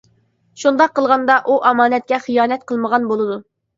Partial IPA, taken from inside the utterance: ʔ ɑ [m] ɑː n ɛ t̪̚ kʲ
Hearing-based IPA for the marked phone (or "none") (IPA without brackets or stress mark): m